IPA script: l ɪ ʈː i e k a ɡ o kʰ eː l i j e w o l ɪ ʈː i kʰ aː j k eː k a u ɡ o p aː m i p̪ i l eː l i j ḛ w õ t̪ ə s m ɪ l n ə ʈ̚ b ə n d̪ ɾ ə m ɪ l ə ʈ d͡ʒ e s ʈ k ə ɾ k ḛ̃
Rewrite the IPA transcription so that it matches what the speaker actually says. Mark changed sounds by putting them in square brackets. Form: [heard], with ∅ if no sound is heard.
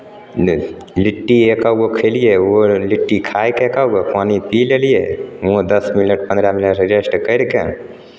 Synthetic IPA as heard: l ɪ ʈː i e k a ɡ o kʰ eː l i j e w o l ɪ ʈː i kʰ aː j k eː k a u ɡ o p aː [n] i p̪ i l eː l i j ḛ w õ [d̪] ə s m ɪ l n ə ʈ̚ [p] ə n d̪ ɾ [a] m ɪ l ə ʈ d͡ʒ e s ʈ k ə ɾ k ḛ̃